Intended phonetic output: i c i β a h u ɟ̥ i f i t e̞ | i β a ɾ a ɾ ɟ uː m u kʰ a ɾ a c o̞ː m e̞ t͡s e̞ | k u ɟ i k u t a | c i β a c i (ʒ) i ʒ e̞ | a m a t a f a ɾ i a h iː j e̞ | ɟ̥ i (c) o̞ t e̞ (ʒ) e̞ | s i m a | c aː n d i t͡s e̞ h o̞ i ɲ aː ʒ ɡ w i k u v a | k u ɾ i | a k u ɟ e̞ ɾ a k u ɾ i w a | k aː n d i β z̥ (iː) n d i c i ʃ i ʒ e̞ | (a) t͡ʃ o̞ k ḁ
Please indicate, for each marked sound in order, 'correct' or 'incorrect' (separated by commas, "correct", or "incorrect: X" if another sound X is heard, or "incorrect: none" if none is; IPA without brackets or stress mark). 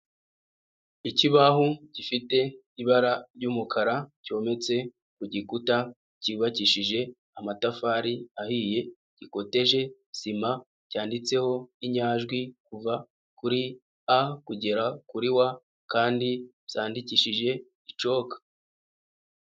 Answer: incorrect: ʃ, incorrect: k, correct, incorrect: aː, incorrect: i